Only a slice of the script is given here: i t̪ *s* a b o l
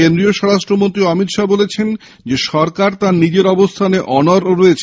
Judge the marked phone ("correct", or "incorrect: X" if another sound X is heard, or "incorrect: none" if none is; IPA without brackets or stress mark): incorrect: ʃ